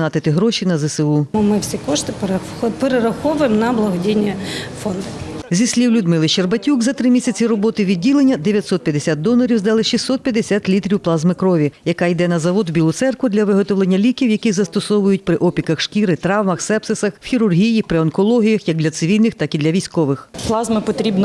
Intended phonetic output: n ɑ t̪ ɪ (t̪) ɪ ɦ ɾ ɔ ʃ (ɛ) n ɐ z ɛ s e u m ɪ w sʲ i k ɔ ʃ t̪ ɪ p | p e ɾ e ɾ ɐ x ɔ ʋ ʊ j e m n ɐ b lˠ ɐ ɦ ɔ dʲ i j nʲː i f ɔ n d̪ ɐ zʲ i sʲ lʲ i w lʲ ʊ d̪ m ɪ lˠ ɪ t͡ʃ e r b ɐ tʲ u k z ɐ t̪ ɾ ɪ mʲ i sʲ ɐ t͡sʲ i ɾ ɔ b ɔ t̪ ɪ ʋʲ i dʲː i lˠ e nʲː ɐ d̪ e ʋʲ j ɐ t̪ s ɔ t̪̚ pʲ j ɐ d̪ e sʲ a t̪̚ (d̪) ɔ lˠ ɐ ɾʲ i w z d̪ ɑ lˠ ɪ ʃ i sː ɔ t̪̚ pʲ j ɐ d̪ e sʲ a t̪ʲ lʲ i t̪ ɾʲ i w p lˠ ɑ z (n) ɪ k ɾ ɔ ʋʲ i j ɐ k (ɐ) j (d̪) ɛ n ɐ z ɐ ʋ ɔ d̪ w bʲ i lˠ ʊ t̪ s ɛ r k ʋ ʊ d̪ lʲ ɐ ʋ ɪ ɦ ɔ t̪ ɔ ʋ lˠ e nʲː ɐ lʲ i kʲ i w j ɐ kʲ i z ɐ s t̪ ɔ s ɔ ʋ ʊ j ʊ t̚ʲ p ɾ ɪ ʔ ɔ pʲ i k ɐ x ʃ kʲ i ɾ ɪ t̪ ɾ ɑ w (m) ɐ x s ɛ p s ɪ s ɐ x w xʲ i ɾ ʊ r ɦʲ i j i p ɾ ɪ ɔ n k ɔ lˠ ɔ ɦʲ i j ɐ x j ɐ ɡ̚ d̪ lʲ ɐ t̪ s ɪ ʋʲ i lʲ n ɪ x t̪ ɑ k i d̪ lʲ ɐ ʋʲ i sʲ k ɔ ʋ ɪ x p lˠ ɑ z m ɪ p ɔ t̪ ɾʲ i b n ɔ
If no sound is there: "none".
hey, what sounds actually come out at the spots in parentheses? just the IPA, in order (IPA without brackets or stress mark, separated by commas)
t̪, i, d̪, m, ɑ, d̪, m